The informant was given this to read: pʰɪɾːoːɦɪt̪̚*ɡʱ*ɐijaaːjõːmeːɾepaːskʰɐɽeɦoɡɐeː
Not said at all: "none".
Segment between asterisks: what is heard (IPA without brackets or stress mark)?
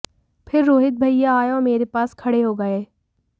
bʱ